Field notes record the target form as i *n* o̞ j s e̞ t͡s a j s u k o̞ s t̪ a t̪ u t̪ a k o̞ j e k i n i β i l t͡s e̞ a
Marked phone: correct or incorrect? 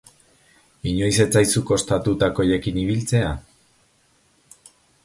incorrect: ɲ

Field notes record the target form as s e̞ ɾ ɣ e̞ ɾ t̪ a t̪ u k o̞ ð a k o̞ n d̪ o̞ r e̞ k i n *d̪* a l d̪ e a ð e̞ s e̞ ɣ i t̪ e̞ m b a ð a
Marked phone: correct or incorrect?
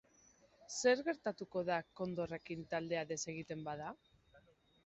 incorrect: t̪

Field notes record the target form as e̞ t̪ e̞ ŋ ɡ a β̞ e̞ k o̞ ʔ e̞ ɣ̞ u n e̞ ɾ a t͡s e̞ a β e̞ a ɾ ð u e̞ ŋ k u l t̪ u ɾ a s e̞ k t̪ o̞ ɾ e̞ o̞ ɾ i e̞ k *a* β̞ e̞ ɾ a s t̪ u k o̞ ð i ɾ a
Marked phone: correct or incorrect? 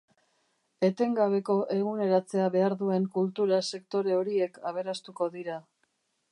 correct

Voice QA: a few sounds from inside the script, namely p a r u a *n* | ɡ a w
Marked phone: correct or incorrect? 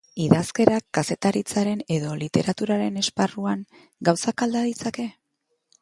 incorrect: ŋ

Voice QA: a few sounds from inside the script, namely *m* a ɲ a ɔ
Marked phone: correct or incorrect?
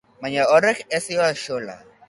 correct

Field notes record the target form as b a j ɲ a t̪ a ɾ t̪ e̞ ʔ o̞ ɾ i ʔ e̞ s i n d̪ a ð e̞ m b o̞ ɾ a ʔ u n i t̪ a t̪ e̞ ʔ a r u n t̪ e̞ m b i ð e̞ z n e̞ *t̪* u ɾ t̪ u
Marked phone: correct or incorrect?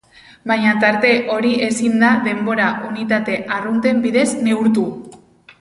incorrect: none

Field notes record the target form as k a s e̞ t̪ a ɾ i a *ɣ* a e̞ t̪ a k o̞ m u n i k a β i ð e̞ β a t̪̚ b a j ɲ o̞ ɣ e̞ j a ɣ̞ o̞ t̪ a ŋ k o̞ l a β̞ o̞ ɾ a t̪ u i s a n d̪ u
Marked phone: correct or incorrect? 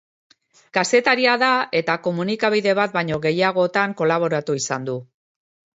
incorrect: ð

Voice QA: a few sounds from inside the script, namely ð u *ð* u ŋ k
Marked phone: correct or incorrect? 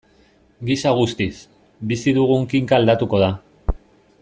incorrect: ɣ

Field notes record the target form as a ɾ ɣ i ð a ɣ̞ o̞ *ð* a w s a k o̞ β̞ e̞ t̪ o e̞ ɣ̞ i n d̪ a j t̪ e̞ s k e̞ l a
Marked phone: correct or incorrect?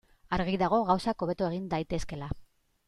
incorrect: ɣ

